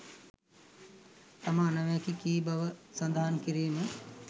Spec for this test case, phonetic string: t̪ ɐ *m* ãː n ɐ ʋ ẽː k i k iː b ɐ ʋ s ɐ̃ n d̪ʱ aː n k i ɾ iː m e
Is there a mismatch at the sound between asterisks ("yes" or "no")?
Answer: no